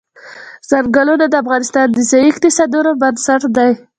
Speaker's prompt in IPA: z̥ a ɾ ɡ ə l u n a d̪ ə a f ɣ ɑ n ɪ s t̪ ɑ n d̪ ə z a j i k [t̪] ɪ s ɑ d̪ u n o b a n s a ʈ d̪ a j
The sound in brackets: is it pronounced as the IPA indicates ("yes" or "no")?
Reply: yes